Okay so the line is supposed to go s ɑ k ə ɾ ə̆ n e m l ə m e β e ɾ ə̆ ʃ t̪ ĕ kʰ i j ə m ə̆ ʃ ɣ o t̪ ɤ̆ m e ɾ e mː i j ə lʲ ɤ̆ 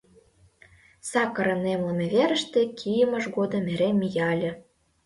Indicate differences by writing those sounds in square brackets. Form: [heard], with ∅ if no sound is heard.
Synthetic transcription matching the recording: s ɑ k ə ɾ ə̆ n e m l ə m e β e ɾ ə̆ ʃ t̪ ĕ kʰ i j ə m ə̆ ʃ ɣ o [d̪] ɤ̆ m e ɾ e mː i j [ɑ] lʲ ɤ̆